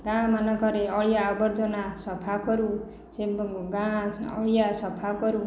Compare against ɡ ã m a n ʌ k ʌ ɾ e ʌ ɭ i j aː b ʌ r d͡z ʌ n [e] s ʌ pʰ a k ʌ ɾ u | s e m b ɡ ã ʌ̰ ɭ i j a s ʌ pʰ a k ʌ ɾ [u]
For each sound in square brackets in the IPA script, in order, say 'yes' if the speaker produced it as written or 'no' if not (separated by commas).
no, yes